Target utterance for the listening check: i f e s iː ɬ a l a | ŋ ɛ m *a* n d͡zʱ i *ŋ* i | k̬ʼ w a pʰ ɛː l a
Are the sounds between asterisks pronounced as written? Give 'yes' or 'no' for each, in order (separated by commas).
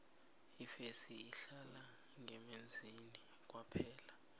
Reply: no, no